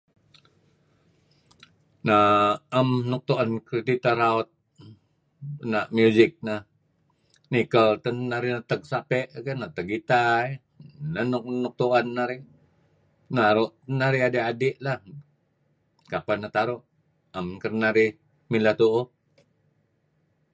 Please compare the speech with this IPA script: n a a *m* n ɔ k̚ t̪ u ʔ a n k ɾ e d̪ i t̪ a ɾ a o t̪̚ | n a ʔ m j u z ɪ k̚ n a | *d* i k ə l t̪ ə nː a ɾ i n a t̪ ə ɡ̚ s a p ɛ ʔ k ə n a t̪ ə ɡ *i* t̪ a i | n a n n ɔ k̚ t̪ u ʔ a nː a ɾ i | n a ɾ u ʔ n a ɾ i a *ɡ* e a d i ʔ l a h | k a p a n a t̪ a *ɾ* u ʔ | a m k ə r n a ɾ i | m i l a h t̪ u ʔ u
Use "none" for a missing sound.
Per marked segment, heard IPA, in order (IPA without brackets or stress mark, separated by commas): m, n, i, d, ɾ